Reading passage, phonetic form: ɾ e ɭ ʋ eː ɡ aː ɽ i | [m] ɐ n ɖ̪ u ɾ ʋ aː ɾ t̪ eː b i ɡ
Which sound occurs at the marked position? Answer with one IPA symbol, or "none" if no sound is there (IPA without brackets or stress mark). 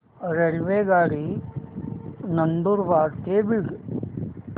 n